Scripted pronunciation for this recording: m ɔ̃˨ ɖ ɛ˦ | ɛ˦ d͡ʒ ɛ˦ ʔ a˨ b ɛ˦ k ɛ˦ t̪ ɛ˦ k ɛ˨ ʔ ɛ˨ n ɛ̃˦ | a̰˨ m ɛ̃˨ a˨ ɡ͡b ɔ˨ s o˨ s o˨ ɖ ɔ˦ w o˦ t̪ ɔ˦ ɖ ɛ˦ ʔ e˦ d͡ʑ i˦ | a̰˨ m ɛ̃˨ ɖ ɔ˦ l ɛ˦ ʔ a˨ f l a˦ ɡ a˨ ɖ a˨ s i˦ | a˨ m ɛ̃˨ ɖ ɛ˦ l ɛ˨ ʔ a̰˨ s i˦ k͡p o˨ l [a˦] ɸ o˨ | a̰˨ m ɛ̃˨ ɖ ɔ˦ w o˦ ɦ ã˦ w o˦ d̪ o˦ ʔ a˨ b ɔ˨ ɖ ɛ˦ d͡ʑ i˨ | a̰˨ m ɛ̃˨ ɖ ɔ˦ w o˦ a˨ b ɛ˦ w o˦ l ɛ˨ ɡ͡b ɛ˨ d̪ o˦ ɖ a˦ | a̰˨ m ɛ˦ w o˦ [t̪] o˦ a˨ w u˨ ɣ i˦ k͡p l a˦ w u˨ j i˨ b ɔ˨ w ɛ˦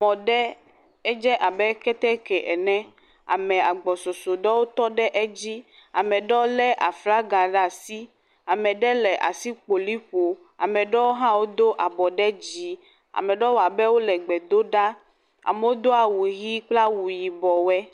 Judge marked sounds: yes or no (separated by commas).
no, no